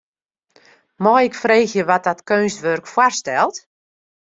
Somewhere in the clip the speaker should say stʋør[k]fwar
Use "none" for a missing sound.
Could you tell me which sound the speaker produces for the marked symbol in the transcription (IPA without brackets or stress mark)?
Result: k